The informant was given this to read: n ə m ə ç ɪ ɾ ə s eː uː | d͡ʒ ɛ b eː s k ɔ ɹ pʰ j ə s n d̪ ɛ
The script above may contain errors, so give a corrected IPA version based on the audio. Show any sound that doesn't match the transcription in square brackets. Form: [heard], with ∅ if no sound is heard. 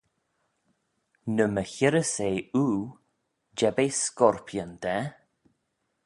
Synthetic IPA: n ə m ə ç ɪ ɾ ə s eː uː | d͡ʒ ɛ b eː s k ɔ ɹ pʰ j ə [∅] n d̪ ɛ